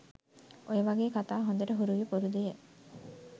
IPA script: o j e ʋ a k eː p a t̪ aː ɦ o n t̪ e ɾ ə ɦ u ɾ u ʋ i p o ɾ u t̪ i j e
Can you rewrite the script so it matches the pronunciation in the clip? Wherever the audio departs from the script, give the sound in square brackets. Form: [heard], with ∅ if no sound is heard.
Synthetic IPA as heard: o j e ʋ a [ɡ] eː [k] a t̪ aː ɦ o n [d̪] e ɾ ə ɦ u ɾ u ʋ i p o ɾ u [d̪] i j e